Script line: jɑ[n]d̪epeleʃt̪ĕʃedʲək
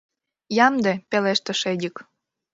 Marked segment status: incorrect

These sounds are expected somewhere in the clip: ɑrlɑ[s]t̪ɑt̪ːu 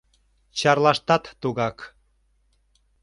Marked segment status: incorrect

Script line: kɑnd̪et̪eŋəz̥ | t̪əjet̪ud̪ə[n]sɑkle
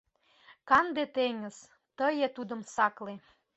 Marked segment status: incorrect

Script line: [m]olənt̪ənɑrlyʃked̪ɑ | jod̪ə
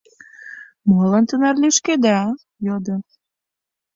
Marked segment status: correct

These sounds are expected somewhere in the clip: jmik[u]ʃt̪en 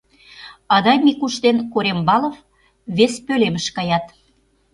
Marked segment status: correct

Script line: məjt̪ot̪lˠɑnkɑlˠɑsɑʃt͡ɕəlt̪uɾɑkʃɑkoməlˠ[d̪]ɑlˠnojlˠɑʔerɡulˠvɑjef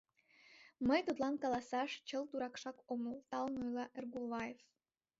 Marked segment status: incorrect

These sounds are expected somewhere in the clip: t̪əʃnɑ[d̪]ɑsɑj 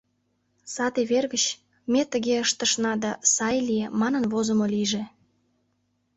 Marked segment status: correct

